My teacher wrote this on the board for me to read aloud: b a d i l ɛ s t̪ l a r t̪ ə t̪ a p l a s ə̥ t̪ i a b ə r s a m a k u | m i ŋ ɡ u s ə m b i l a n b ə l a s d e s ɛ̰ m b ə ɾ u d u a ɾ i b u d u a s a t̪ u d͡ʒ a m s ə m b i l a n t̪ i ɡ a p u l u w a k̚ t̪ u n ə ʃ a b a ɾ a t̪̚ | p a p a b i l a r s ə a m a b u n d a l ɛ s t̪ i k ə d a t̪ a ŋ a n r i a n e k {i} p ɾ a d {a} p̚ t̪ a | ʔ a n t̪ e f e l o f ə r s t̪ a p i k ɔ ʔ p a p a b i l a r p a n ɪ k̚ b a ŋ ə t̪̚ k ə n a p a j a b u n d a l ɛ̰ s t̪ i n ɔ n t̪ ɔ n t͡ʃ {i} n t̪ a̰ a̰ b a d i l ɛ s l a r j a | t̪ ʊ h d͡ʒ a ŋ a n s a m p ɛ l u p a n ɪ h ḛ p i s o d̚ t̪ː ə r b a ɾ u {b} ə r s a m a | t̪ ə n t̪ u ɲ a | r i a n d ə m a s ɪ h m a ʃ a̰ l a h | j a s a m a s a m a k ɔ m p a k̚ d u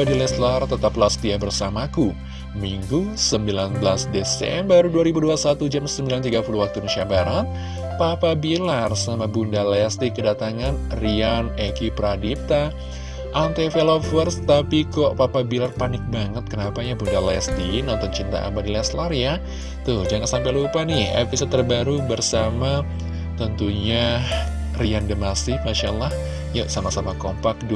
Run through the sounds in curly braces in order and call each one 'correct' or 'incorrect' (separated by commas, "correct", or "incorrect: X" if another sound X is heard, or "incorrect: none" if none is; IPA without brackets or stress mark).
correct, incorrect: i, correct, correct